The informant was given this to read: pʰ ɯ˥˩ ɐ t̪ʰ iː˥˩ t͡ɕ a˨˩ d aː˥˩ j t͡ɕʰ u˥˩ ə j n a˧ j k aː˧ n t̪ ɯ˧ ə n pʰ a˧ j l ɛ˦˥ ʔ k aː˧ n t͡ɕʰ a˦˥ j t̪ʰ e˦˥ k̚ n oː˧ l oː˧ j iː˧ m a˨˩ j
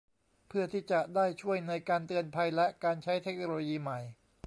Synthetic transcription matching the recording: pʰ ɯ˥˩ ɐ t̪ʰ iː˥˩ t͡ɕ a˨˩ d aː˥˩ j t͡ɕʰ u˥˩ ə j n a˧ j k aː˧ n t̪ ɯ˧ ə n pʰ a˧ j l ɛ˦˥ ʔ k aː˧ n t͡ɕʰ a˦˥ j t̪ʰ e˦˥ k̚ n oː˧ l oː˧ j iː˧ m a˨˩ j